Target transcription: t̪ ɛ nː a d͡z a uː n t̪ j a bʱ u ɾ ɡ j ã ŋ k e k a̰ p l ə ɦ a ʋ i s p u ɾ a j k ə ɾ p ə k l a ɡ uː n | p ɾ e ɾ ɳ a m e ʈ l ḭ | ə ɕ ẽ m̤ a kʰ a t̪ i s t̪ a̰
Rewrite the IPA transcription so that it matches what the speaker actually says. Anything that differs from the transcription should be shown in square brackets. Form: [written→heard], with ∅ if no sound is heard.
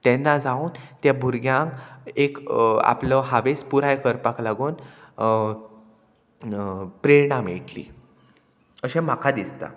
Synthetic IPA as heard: t̪ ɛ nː a d͡z a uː n t̪ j a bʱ u ɾ ɡ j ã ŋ k e k a̰ p l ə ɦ a ʋ [i→e] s p u ɾ a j k ə ɾ p [ə→a] k l a ɡ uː n | p ɾ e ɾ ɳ a m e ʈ l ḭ | ə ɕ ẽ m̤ a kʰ a [t̪→d̪] i s t̪ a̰